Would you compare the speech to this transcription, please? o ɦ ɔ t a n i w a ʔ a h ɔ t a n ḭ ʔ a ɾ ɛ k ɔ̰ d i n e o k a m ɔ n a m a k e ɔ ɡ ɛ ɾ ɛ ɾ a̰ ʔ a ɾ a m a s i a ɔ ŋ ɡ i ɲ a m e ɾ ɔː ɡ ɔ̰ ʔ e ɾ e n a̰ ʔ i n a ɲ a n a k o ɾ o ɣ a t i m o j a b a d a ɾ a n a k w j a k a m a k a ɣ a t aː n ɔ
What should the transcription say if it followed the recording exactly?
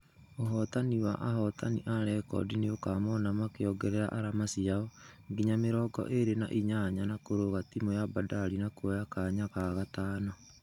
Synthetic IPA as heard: o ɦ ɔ t a n i w a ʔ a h ɔ t a n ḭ ʔ a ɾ ɛ k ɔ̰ d i n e o k a m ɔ n a m a k e ɔ ɡ ɛ ɾ ɛ ɾ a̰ ʔ a ɾ a m a s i a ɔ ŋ ɡ i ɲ a m e ɾ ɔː ɡ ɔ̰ ʔ e ɾ e n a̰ ʔ i ɲ a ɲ a n a k o ɾ o ɣ a t i m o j a b a d a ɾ i n a k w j a k a ɲ a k a ɣ a t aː n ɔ